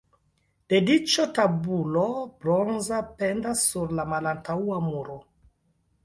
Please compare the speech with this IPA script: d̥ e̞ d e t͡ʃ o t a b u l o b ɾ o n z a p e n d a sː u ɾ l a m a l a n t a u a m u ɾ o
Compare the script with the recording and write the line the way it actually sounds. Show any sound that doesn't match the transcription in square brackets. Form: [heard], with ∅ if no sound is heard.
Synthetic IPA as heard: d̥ e̞ d [i] t͡ʃ o t a b u l o b ɾ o n z a p e n d a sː u ɾ l a m a l a n t a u a m u ɾ o